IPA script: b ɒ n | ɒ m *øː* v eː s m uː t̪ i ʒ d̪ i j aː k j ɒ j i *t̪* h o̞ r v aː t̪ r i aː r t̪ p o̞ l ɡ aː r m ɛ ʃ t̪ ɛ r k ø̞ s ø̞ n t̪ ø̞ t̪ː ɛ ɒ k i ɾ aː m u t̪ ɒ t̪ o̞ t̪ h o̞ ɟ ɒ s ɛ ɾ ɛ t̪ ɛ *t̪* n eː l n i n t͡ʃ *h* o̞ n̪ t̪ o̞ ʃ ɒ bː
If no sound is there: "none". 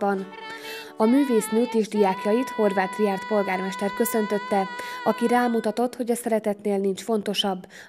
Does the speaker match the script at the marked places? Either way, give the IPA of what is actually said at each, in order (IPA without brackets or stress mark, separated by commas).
yː, t̪, t̪, f